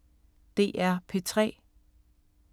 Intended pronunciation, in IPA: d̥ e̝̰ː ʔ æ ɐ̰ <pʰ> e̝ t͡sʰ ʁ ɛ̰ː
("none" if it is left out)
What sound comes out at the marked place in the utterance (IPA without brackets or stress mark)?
pʰ